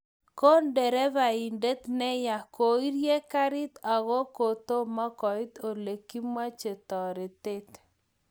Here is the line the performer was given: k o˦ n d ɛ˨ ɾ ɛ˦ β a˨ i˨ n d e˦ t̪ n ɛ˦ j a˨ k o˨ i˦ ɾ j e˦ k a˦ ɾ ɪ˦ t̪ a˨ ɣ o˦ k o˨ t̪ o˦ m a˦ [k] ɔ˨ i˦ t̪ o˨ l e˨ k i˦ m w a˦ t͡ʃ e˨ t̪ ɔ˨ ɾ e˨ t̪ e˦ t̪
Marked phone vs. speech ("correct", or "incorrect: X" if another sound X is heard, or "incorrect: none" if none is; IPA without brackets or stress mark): correct